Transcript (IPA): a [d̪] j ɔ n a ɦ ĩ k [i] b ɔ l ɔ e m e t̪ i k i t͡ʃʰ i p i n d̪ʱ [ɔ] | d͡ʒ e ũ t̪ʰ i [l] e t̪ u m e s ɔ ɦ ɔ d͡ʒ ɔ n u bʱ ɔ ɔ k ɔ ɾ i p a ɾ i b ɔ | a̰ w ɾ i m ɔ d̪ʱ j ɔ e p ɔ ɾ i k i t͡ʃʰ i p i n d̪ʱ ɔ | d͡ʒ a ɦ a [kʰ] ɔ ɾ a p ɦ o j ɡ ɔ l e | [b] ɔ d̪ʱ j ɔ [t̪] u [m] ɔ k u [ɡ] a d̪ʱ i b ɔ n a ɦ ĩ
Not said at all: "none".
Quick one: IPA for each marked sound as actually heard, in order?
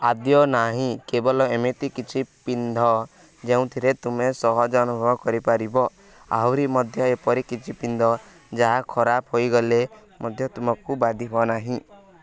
d̪, e, ɔ, ɾ, kʰ, m, t̪, m, b

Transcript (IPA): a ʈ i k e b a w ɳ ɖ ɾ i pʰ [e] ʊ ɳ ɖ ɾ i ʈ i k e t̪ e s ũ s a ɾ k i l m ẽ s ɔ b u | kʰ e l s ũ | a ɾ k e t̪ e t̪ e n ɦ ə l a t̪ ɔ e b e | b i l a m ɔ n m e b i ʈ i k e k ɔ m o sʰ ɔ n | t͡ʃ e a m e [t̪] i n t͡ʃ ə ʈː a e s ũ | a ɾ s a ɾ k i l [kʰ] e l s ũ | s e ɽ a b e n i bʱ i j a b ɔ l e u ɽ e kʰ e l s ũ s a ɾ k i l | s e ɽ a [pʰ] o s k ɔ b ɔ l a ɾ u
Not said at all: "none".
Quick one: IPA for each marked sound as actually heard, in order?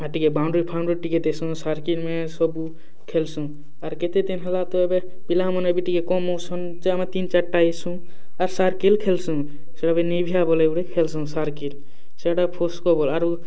a, t̪, kʰ, pʰ

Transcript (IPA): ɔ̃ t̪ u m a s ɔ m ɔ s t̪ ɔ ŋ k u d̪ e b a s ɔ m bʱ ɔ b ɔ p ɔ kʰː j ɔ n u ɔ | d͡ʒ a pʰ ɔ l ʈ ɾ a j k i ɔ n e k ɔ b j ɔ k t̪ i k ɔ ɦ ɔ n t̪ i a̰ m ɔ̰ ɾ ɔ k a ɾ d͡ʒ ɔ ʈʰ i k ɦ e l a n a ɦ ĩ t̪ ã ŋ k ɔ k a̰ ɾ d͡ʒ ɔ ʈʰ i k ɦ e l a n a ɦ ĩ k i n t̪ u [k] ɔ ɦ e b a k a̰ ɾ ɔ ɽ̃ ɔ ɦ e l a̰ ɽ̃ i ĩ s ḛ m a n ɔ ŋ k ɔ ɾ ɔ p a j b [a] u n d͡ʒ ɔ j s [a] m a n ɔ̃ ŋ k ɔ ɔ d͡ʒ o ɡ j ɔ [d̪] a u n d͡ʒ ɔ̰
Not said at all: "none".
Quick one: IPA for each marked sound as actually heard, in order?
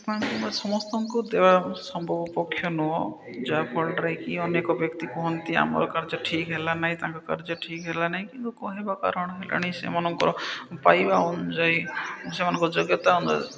k, a, e, t̪

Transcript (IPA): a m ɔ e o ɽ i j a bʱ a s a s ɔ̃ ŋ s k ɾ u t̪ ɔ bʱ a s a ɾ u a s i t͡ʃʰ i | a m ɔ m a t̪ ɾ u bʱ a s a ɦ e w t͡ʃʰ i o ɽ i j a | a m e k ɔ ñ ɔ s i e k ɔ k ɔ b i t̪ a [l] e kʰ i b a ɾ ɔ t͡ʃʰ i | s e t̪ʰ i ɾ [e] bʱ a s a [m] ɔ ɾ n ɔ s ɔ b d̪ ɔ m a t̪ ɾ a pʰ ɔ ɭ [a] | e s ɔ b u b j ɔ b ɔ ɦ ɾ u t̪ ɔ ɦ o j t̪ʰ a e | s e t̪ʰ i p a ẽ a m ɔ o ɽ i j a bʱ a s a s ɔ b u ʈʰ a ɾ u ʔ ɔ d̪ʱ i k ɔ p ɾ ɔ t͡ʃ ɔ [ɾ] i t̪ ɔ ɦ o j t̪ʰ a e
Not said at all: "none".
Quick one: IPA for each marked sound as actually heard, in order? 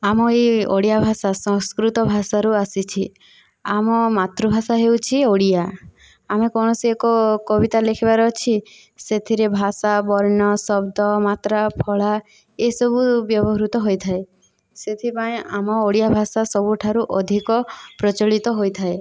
l, e, b, a, ɭ

